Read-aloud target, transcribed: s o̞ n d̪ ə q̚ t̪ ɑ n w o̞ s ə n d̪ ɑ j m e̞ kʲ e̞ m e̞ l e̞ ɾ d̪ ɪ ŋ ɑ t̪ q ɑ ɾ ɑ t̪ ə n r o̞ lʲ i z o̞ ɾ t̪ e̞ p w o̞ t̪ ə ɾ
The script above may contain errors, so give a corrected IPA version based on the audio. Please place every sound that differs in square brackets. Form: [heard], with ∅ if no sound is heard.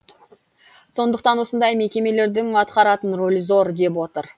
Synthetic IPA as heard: s o̞ n d̪ ə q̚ t̪ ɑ n w o̞ s ə n d̪ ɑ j m e̞ kʲ e̞ m e̞ l e̞ ɾ d̪ ɪ ŋ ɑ t̪ q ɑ ɾ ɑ t̪ ə n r o̞ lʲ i z o̞ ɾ [d̪] e̞ p w o̞ t̪ ə ɾ